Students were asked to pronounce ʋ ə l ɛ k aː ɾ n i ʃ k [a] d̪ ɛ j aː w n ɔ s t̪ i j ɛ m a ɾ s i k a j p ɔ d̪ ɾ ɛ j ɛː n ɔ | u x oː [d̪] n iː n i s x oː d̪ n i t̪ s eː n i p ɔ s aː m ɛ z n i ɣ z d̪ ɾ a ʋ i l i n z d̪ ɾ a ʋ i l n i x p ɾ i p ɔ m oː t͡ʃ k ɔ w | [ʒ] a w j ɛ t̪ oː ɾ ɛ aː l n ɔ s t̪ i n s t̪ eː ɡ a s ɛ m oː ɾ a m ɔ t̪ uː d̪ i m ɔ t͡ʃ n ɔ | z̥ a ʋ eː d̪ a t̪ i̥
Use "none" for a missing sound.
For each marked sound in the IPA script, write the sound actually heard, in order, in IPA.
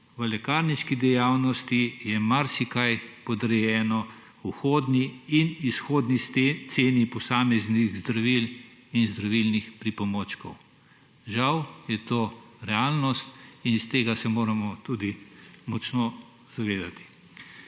i, d̪, ʒ

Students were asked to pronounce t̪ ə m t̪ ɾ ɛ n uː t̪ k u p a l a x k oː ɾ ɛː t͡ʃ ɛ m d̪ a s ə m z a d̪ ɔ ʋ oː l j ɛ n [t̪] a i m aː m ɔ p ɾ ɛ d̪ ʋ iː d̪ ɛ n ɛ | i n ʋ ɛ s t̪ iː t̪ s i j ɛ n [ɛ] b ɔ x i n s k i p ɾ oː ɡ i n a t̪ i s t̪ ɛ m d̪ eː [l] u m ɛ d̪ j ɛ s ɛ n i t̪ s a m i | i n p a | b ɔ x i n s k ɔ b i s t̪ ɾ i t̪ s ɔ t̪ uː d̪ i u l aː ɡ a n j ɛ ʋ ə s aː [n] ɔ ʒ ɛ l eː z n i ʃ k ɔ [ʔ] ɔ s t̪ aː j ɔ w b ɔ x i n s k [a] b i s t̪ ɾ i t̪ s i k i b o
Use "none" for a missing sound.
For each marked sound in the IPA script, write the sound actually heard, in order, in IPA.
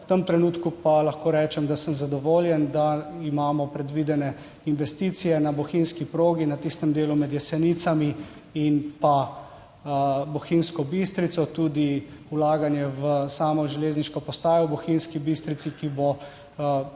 d̪, a, l, m, p, i

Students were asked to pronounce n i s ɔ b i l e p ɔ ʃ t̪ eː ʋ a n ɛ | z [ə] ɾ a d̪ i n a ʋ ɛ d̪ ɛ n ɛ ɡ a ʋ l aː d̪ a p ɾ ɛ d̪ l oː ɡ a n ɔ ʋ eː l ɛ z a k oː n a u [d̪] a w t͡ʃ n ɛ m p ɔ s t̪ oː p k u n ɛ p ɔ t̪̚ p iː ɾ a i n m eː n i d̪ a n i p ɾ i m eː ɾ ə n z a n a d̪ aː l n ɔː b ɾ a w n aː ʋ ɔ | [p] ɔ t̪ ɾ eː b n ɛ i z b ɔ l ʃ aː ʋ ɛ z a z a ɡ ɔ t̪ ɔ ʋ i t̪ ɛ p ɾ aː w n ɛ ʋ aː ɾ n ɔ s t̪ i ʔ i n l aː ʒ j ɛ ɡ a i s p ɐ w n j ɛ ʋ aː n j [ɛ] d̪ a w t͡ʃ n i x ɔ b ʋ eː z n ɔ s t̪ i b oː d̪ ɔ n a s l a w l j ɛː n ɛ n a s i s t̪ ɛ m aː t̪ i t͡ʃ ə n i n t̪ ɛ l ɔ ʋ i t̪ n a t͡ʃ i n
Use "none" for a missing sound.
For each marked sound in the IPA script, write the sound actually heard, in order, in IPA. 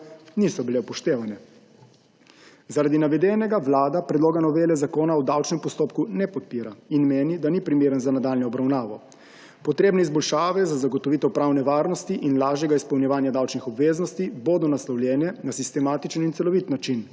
a, d̪, p, a

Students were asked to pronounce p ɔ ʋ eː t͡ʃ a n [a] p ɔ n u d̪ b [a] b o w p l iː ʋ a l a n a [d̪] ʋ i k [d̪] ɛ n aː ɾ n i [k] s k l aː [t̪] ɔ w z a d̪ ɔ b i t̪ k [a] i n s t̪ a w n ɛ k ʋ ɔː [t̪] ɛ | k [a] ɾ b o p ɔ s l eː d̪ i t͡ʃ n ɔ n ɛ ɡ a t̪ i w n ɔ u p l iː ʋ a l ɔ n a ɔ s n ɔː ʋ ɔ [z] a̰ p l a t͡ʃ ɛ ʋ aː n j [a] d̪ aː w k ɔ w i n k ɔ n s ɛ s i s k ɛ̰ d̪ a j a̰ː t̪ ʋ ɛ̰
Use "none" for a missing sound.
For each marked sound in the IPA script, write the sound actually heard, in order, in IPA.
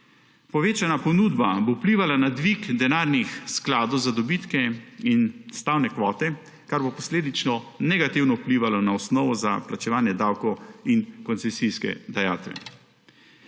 a, a, d̪, d̪, x, d̪, ɛ, t̪, a, z, ɛ

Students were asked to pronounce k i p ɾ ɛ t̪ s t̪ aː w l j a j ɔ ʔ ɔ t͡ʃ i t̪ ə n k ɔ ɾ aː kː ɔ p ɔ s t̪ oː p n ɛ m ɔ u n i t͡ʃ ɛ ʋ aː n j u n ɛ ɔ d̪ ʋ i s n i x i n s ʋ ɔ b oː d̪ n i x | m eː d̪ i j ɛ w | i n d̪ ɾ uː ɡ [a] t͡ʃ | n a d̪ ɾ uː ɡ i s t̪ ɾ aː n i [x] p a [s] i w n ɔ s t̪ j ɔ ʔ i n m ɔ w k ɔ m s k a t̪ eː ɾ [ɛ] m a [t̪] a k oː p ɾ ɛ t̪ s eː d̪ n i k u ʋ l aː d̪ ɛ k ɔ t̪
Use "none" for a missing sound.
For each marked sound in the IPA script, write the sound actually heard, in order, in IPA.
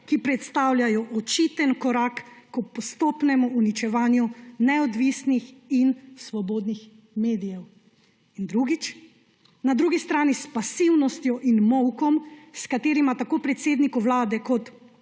i, s, s, i, t̪

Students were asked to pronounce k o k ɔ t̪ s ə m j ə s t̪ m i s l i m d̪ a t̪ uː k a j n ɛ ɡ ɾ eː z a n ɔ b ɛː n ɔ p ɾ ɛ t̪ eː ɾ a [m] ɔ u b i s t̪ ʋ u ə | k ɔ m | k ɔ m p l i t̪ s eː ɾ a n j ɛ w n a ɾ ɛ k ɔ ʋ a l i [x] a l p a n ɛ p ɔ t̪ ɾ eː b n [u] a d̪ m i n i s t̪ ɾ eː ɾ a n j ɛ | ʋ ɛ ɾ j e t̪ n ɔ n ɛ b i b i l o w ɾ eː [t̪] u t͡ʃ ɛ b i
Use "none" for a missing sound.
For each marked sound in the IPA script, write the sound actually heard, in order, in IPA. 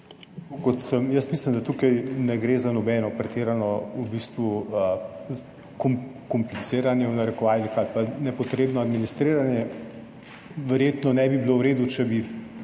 n, x, ɔ, d̪

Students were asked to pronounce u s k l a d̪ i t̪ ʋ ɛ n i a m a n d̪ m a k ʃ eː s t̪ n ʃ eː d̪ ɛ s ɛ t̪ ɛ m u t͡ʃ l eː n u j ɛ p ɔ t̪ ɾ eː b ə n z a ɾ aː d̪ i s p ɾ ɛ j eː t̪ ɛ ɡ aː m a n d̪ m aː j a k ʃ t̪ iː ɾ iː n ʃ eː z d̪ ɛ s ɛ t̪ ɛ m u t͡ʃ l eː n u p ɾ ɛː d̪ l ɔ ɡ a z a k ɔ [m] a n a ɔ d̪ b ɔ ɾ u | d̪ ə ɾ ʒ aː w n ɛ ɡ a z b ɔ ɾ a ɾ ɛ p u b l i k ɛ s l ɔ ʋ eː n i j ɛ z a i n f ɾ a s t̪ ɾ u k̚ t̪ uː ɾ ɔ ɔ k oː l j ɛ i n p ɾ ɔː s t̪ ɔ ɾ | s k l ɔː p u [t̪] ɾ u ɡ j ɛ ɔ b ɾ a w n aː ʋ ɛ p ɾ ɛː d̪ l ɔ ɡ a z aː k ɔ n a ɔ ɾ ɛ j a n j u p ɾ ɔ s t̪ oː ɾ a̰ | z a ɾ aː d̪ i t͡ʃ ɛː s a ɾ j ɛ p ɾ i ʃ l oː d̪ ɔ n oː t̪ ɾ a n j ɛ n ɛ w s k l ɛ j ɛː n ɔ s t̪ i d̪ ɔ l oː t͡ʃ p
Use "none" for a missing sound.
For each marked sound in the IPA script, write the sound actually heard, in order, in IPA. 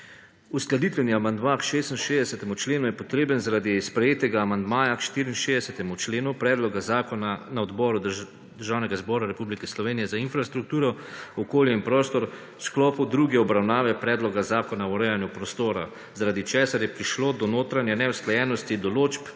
n, d̪

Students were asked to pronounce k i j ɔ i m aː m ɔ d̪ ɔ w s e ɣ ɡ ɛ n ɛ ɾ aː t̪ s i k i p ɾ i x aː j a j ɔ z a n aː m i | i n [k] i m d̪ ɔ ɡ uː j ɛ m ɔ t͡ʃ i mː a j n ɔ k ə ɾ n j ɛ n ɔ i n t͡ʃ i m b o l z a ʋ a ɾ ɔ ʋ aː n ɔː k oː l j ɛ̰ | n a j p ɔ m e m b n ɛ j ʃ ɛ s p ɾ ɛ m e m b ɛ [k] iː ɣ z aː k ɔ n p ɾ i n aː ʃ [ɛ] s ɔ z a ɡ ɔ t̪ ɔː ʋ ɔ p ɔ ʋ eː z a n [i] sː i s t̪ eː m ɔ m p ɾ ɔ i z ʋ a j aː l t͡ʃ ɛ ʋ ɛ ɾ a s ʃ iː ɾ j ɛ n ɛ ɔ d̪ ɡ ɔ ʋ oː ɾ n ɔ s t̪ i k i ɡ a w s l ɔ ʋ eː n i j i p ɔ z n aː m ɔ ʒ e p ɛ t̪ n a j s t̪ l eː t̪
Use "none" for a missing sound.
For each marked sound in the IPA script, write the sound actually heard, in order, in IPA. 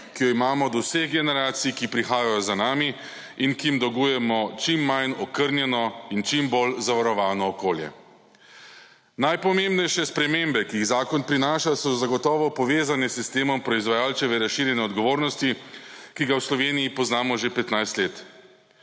k, k, a, ɛ

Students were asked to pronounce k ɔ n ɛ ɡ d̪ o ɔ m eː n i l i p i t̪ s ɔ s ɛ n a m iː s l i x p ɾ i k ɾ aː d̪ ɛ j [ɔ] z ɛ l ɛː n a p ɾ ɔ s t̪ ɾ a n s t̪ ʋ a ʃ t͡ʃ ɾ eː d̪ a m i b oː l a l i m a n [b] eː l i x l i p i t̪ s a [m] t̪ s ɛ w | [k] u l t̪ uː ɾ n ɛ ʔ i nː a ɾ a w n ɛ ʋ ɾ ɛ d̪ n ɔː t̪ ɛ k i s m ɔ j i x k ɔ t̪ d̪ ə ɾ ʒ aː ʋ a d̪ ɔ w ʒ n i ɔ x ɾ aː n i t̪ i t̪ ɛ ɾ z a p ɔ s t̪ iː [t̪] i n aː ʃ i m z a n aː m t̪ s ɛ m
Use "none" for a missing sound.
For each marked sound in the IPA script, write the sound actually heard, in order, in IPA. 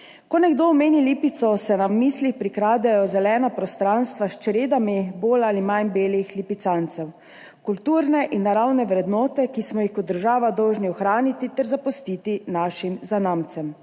ɔ, b, n, k, t̪

